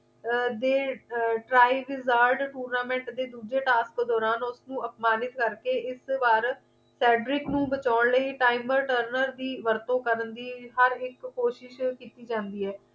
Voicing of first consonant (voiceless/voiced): voiced